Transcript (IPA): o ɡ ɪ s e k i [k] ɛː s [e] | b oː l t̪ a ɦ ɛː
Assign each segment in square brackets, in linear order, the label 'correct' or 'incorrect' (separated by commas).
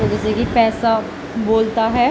incorrect, incorrect